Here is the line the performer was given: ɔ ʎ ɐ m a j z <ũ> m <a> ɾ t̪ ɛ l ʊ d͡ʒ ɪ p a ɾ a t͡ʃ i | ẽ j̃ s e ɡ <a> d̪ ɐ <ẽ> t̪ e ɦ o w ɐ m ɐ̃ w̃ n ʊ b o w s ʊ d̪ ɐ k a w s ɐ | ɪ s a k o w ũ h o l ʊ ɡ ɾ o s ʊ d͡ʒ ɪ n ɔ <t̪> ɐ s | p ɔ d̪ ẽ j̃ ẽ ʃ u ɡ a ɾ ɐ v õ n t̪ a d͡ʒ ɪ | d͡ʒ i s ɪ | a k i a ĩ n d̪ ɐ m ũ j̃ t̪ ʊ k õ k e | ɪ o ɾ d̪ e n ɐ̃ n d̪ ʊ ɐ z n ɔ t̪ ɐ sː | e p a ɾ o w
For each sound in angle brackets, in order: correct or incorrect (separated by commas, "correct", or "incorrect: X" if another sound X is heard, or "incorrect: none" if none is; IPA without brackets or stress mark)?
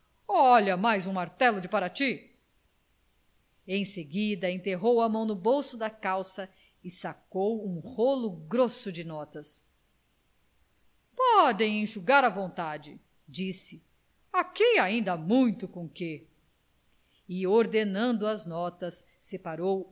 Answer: correct, correct, incorrect: i, correct, correct